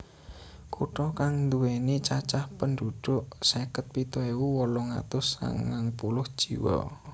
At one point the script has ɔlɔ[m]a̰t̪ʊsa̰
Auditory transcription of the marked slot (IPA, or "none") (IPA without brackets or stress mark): ŋ